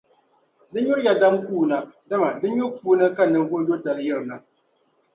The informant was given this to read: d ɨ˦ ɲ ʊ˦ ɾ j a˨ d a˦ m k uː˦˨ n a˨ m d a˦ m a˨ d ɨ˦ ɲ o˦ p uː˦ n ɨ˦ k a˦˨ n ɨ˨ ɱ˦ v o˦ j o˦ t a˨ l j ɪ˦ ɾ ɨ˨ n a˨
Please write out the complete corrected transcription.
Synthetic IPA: d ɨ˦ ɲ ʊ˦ ɾ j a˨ d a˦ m k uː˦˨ n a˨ d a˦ m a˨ d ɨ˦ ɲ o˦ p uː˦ n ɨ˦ k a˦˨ n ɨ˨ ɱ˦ v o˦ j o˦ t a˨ l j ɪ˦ ɾ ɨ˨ n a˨